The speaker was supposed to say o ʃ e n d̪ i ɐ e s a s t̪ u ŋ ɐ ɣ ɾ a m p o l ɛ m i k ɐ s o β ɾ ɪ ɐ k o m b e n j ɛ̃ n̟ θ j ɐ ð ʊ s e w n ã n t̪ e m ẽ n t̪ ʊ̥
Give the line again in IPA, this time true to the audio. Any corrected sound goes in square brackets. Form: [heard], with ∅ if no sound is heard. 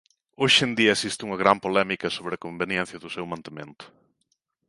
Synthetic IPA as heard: o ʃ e n d̪ i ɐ e s [i] s t̪ u ŋ ɐ ɣ ɾ a m p o l ɛ m i k ɐ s o β ɾ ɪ ɐ k o m b e n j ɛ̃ n̟ θ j ɐ ð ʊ s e w [m] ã n t̪ e m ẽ n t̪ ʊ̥